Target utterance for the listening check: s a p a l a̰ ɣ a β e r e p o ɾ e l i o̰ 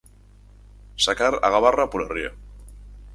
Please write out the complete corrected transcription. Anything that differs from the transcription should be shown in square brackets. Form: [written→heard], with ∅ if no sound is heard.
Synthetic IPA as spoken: s a [p→k] a [l→ɾ] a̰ ɣ a β [e→a] r [e→a] p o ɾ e [l→r] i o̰